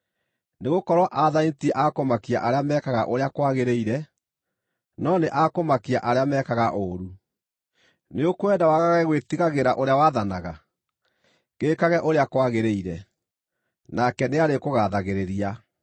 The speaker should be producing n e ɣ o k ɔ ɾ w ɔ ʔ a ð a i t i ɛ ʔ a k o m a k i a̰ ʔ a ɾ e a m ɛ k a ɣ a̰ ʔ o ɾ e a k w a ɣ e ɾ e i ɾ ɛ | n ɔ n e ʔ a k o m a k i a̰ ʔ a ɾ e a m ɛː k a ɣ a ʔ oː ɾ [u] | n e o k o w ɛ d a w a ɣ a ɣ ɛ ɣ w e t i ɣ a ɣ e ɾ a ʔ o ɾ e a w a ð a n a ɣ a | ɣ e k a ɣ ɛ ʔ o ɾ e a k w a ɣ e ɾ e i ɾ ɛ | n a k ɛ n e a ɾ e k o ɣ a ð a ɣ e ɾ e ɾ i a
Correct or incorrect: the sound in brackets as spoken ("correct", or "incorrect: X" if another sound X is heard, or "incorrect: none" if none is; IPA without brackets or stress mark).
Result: correct